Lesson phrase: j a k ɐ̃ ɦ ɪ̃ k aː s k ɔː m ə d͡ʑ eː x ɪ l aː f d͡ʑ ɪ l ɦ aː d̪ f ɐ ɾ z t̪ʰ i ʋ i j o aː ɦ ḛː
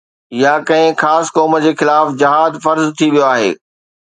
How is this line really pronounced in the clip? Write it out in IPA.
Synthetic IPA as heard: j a k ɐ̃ ɦ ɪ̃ x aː s k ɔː m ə d͡ʑ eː x ɪ l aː f d͡ʑ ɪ ɦ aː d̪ f ɐ ɾ z t̪ʰ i ʋ i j o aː ɦ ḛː